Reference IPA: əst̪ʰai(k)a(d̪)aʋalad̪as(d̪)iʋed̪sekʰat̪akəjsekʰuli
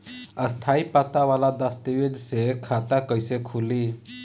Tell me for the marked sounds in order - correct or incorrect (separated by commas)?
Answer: incorrect, incorrect, incorrect